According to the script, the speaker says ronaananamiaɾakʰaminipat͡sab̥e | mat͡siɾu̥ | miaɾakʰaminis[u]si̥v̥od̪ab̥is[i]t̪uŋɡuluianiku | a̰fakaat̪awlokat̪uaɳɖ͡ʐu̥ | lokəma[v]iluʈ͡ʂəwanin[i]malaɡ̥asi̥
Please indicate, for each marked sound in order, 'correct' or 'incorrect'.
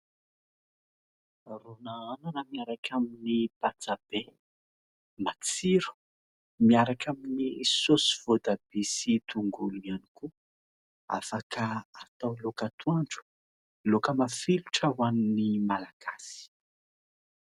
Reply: incorrect: o, correct, incorrect: f, correct

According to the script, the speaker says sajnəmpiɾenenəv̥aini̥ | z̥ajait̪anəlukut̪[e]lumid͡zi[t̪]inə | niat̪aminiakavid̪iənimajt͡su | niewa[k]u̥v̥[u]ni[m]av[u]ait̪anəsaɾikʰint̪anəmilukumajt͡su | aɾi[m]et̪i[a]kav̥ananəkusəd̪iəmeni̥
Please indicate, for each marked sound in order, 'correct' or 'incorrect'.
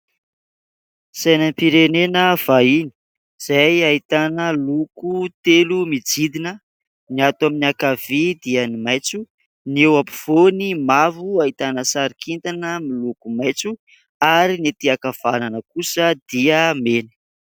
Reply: correct, incorrect: d̪, incorrect: p, incorrect: o, correct, correct, incorrect: n, correct

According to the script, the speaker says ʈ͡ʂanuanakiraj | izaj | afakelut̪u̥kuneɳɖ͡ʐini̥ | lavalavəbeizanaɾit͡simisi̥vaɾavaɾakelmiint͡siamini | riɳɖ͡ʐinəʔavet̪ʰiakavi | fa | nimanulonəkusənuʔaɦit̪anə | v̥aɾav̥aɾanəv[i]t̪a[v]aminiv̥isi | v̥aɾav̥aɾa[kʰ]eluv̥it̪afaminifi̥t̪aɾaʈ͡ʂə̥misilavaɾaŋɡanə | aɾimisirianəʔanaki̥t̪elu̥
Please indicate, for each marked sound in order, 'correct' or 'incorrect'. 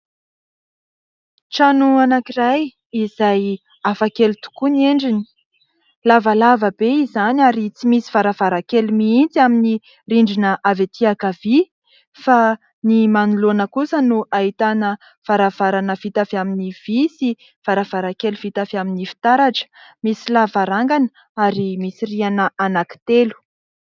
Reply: correct, incorrect: f, incorrect: k

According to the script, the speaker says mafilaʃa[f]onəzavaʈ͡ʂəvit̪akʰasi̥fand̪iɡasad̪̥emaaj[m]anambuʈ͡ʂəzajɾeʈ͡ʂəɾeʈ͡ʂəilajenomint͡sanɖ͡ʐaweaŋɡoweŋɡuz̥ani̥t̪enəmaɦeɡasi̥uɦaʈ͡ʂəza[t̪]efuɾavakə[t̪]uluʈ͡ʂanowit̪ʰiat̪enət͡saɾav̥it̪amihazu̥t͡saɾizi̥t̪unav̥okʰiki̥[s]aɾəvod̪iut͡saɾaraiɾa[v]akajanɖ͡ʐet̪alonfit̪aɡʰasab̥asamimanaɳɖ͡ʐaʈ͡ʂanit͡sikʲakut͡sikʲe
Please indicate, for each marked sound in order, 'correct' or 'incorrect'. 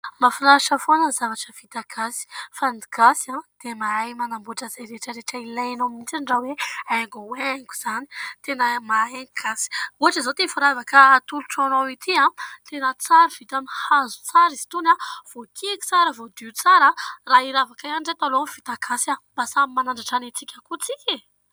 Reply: correct, correct, correct, correct, incorrect: t͡s, correct

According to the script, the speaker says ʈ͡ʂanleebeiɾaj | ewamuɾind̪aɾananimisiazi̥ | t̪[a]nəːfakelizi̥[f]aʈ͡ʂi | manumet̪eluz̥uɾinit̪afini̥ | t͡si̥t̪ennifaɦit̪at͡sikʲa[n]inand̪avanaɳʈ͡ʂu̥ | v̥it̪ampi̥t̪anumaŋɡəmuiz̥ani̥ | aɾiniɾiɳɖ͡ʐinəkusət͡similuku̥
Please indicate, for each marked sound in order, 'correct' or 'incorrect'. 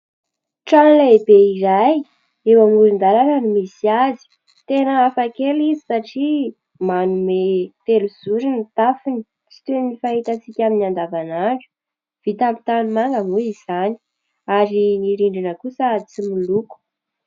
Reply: incorrect: e, incorrect: s, incorrect: m

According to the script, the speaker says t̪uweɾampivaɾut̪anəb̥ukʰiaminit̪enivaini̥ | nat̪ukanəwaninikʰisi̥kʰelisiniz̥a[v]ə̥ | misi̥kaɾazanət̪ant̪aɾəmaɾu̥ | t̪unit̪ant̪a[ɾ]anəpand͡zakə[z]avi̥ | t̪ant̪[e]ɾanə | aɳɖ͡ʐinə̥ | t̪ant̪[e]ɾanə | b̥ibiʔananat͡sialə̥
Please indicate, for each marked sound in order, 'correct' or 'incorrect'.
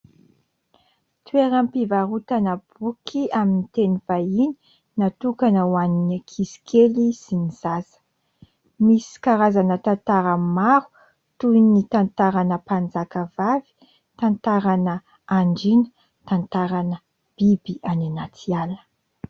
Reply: incorrect: z, correct, incorrect: v, incorrect: a, incorrect: a

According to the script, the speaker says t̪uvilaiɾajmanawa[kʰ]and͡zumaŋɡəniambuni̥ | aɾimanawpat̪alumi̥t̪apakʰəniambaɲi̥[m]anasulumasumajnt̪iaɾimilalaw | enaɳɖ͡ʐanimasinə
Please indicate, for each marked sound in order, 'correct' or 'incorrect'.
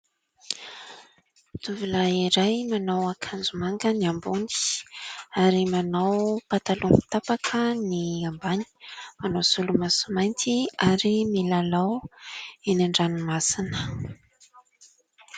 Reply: correct, correct

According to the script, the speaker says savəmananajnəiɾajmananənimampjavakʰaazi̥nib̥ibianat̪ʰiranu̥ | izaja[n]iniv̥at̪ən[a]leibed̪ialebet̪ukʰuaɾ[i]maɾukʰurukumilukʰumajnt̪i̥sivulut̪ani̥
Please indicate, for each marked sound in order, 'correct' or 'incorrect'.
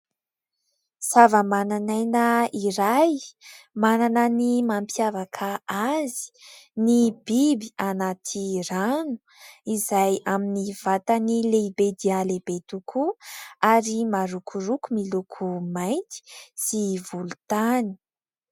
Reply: incorrect: m, incorrect: i, correct

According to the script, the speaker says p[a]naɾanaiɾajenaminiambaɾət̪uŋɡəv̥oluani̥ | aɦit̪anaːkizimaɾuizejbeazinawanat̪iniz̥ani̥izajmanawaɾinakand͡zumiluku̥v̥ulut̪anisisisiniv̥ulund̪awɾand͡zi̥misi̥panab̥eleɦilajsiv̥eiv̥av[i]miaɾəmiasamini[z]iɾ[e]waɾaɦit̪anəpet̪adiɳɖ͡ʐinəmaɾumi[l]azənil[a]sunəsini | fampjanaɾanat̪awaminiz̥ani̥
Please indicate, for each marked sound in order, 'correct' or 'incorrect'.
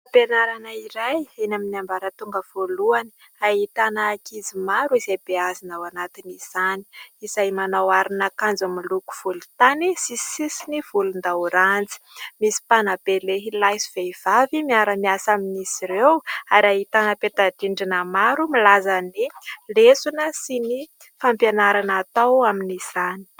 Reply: incorrect: e, correct, incorrect: s, correct, correct, incorrect: e

